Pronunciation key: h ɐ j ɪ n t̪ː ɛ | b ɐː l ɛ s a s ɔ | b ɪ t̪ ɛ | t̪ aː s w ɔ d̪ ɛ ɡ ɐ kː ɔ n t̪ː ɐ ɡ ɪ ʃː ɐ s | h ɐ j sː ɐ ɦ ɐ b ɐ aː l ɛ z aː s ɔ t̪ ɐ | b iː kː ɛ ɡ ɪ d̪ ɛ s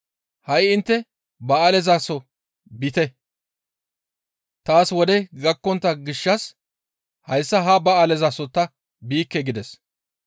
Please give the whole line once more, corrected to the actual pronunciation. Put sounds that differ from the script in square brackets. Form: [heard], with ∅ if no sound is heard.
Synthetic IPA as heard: h ɐ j ɪ n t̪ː ɛ | b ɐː l ɛ [z] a s ɔ | b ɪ t̪ ɛ | t̪ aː s w ɔ d̪ ɛ ɡ ɐ kː ɔ n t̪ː ɐ ɡ ɪ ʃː ɐ s | h ɐ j sː ɐ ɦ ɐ b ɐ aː l ɛ z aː s ɔ t̪ ɐ | b iː kː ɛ ɡ ɪ d̪ ɛ s